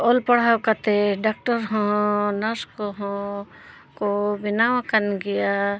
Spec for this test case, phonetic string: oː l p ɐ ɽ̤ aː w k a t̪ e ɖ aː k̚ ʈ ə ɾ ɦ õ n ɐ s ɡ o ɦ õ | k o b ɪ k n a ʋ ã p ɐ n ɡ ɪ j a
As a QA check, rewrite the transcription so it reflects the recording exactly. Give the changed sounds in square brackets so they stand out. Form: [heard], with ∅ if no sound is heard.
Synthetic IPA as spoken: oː l p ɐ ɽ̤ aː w k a t̪ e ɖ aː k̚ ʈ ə ɾ ɦ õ n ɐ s [k] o ɦ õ | k o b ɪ [∅] n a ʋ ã [k] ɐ n ɡ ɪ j a